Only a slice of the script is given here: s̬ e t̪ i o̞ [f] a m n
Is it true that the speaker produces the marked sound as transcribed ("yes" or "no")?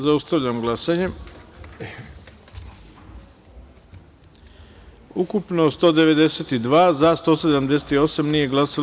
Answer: no